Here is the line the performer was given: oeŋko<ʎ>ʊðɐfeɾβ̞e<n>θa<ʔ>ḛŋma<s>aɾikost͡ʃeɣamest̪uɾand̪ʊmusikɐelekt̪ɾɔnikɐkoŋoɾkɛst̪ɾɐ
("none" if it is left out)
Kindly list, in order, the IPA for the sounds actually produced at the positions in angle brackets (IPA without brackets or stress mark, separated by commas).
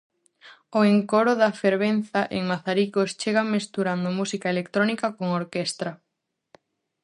ɾ, n, ʔ, θ